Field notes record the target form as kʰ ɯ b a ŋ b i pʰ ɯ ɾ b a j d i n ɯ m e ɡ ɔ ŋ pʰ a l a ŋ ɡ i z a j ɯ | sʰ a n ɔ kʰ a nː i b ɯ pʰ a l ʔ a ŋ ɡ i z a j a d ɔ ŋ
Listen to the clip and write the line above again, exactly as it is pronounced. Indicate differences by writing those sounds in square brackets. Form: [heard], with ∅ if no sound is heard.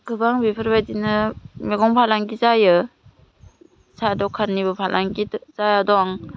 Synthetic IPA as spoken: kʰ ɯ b a ŋ b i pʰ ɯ ɾ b a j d i n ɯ m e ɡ ɔ ŋ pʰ a l a ŋ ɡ i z a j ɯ | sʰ a [d] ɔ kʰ a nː i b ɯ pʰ a l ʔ a ŋ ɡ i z a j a d ɔ ŋ